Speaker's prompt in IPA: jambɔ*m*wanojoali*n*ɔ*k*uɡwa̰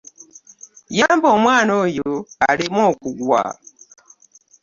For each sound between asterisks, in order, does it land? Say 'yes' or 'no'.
yes, no, yes

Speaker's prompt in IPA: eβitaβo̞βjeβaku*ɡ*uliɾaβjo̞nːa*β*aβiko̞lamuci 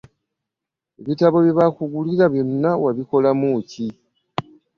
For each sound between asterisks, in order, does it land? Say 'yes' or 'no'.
yes, no

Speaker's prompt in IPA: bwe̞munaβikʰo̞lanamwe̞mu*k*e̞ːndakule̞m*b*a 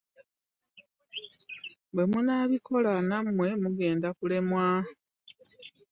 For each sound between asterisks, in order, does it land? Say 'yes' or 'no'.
no, no

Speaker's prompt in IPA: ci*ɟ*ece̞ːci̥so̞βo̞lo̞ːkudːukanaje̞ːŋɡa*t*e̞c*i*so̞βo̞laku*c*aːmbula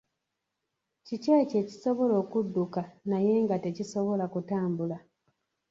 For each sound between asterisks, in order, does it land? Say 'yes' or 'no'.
no, yes, yes, no

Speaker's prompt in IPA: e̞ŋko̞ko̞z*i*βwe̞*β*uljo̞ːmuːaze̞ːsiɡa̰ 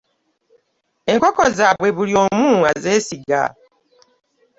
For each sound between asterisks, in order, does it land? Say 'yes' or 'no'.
no, yes

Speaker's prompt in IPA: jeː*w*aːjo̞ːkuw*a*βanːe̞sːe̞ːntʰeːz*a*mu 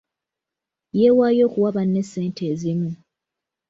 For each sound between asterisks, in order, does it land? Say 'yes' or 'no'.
yes, yes, no

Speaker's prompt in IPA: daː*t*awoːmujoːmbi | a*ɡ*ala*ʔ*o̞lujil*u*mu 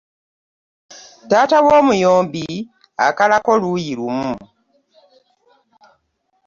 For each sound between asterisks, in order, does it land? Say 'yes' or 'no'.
yes, no, no, yes

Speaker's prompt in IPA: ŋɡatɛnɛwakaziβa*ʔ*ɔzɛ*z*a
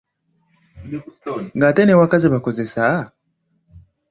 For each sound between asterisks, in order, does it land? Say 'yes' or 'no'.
no, no

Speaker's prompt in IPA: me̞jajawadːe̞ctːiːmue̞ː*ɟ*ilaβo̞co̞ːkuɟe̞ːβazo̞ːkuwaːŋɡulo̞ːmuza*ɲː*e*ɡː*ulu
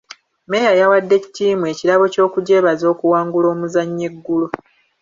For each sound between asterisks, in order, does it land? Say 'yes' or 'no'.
no, yes, yes

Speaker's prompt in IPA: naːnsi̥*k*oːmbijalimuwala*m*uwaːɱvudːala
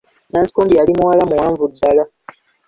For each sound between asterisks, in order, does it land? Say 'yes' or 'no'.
yes, yes

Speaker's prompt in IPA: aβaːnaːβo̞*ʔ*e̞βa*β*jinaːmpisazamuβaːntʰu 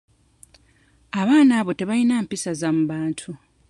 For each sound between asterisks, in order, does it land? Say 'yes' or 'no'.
no, no

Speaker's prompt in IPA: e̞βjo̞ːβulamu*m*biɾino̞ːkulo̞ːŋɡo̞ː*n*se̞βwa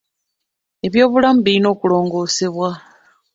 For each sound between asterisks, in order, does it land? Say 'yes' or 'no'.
no, no

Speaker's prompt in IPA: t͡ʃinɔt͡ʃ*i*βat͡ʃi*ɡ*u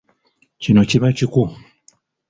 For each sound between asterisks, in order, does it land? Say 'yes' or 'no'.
yes, no

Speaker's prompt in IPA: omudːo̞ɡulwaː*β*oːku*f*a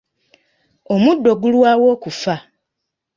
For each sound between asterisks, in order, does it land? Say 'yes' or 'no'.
no, yes

